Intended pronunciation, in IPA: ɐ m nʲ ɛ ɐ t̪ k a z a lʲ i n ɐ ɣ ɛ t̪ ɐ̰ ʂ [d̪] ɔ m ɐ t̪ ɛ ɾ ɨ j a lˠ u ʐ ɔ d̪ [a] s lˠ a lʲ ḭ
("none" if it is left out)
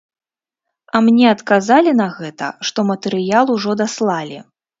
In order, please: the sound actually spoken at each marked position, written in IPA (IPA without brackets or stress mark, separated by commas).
t̪, a